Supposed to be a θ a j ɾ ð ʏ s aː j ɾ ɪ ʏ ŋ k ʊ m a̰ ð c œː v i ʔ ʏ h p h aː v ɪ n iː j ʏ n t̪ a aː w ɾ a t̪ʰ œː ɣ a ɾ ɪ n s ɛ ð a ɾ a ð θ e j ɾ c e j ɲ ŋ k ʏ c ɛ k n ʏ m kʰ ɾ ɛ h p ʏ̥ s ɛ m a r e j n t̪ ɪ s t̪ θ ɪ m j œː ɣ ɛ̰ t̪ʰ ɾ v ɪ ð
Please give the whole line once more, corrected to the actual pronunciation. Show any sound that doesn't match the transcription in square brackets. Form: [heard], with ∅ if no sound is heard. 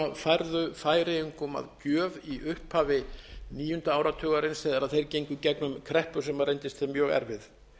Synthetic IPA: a [f] a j ɾ ð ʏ [f] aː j ɾ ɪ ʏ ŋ k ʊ m a̰ ð c œː v i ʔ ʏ h p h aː v ɪ n iː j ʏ n t̪ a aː w ɾ a t̪ʰ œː ɣ a ɾ ɪ n s ɛ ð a ɾ a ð θ e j ɾ c e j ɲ ŋ k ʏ c ɛ k n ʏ m kʰ ɾ ɛ h p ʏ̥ s ɛ m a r e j n t̪ ɪ s t̪ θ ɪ m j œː ɣ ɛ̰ [∅] ɾ v ɪ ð